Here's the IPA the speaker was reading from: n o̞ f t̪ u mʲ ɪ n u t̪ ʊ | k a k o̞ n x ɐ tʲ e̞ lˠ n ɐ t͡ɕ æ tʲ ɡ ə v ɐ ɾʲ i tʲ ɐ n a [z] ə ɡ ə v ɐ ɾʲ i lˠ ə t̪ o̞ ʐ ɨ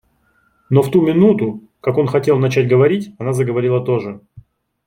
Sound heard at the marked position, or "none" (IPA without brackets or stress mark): z